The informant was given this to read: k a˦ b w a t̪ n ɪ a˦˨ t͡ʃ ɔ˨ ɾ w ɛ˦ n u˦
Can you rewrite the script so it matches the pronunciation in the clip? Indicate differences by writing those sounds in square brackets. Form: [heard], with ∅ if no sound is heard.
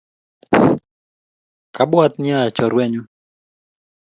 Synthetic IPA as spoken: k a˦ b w a t̪ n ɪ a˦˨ t͡ʃ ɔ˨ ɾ w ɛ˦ [ɲ] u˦